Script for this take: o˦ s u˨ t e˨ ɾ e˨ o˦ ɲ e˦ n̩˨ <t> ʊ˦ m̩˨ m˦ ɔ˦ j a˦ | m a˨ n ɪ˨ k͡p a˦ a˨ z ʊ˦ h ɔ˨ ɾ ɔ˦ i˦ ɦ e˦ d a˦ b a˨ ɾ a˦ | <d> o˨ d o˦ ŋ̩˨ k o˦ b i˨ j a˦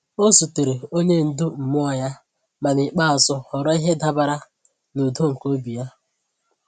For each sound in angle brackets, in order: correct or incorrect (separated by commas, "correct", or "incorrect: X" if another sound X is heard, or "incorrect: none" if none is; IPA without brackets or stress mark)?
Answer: incorrect: d, incorrect: n